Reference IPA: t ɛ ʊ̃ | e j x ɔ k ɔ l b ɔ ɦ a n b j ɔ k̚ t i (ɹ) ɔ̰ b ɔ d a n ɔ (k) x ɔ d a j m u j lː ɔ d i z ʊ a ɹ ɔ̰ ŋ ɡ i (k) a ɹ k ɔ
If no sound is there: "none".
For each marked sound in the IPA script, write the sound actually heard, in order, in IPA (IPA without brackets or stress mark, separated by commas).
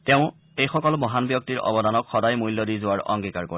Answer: ɹ, k, k